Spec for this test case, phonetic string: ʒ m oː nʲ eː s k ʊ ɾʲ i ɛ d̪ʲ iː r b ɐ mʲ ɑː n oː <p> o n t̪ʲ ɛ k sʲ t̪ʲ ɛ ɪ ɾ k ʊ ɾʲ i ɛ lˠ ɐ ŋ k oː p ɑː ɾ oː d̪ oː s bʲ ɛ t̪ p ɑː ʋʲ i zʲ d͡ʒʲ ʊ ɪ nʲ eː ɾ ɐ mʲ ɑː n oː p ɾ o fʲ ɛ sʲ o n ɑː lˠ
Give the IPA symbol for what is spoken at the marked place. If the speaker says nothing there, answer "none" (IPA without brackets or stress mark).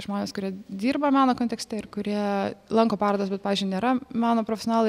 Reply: k